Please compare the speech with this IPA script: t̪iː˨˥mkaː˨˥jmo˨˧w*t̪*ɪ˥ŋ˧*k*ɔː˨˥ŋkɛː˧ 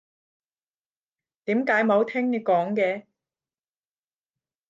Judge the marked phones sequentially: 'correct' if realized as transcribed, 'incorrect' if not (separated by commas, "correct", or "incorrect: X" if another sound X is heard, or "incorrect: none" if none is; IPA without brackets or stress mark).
incorrect: t̪ʰ, correct